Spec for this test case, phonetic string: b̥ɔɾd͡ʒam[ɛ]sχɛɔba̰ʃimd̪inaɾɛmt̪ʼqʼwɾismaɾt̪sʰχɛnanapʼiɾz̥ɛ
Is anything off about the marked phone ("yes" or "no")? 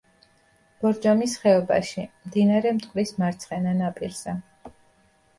yes